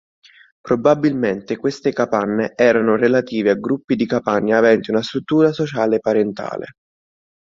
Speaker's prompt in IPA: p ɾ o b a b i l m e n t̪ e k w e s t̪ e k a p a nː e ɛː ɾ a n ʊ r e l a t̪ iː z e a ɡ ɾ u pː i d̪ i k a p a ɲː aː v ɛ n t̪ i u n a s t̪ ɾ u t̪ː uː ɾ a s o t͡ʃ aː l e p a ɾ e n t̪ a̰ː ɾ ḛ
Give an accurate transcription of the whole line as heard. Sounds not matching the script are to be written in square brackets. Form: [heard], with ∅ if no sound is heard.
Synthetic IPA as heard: p ɾ o b a b i l m e n t̪ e k w e s t̪ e k a p a nː e ɛː ɾ a n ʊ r e l a t̪ iː [v] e a ɡ ɾ u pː i d̪ i k a p a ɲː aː v ɛ n t̪ i u n a s t̪ ɾ u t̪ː uː ɾ a s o t͡ʃ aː l e p a ɾ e n t̪ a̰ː [l] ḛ